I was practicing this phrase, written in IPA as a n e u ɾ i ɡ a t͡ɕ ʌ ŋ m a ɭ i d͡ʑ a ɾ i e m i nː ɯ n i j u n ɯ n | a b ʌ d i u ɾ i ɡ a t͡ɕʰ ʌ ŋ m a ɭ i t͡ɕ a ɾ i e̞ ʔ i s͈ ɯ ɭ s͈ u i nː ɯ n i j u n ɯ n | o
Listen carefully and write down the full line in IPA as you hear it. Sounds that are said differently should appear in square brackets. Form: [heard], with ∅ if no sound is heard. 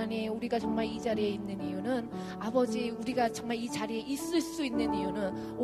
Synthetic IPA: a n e u ɾ i ɡ a t͡ɕ ʌ ŋ m a ɭ i d͡ʑ a ɾ i e [∅] i nː ɯ n i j u n ɯ n | a b ʌ [d͡ʑ] i u ɾ i ɡ a [t͡ɕ] ʌ ŋ m a ɭ i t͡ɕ a ɾ i e̞ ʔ i s͈ ɯ ɭ s͈ u i nː ɯ n i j u n ɯ n | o